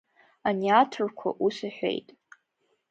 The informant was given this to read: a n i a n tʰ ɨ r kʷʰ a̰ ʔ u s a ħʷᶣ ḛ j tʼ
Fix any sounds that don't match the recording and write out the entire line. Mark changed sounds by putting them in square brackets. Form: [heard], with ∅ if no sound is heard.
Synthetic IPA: a n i a [∅] tʰ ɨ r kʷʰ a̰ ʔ u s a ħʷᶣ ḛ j tʼ